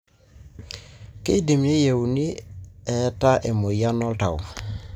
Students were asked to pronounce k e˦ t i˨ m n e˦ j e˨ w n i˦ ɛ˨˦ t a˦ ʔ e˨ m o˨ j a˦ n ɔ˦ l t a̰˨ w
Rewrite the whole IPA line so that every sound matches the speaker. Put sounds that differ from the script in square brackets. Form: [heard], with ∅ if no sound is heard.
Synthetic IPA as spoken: k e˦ [d] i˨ m n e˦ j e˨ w n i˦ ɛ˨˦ t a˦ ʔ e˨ m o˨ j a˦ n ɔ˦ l t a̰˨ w